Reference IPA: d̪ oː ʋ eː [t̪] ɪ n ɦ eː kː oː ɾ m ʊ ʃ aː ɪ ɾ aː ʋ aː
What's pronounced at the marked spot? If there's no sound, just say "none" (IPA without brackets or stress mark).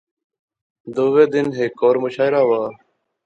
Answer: d̪